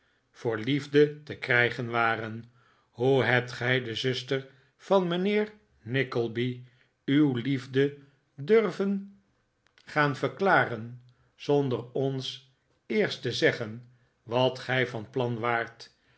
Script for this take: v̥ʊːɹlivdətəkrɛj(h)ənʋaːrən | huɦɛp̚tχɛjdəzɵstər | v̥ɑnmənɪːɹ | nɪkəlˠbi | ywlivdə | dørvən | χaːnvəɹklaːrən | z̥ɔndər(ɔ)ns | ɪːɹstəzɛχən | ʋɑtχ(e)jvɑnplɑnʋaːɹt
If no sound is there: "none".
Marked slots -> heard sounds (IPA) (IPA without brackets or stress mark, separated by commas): χ, ɔ, ɛ